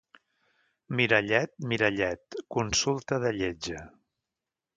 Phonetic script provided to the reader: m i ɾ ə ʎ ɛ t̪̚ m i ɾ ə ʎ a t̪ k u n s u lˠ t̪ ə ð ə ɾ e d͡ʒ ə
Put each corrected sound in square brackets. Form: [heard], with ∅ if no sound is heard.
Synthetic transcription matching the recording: m i ɾ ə ʎ ɛ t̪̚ m i ɾ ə ʎ [ɛ] t̪ k u n s u lˠ t̪ ə ð ə [ʎ] e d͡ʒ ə